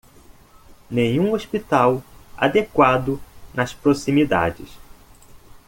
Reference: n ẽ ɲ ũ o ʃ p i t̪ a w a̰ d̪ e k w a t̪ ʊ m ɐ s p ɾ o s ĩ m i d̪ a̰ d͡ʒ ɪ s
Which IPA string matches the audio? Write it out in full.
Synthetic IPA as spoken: n ẽ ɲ ũ o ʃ p i t̪ a w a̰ d̪ e k w a d̪ ʊ n ɐ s p ɾ o s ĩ m i d̪ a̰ d͡ʒ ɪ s